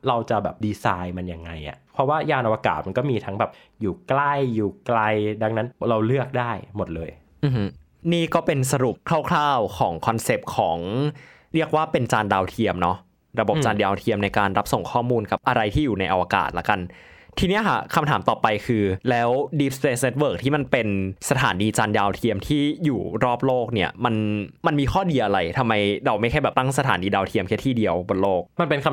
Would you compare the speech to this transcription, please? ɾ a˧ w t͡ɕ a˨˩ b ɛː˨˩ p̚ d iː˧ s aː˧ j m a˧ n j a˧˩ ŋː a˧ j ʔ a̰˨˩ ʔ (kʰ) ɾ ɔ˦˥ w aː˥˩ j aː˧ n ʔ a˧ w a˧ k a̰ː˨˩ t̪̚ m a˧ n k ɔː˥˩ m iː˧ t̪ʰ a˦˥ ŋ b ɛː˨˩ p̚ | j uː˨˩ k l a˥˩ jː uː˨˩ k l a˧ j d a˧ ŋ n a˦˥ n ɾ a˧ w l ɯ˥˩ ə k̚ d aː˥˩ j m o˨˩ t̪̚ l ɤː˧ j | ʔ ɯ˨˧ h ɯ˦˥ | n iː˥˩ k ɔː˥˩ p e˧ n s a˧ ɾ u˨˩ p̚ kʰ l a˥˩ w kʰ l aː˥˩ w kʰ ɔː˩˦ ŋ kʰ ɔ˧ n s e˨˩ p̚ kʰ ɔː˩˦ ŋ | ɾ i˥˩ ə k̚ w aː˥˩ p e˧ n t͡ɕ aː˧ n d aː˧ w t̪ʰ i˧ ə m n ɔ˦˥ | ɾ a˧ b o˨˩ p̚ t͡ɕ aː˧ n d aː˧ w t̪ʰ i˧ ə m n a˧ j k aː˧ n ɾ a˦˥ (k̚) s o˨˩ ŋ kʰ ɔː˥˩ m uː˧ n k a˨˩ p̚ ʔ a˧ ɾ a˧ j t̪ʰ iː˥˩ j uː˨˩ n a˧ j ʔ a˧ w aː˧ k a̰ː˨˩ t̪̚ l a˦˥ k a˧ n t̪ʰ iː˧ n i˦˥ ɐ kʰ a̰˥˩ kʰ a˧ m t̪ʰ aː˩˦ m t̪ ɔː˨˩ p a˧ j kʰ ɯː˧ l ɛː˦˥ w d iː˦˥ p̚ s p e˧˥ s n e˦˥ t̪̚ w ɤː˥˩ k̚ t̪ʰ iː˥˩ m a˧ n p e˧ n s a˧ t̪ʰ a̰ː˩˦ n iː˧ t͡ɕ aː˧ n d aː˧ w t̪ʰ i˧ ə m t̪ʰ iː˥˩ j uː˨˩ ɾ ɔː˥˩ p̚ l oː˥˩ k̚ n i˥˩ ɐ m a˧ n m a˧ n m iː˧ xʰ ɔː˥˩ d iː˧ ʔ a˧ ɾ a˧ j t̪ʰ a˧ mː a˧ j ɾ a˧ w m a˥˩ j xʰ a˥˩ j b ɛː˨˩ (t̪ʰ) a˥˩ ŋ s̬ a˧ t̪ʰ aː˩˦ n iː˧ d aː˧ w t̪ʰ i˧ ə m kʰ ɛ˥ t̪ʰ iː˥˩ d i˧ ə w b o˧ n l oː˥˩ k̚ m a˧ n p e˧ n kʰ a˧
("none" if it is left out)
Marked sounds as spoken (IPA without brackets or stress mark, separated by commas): pʰ, p̚, t̪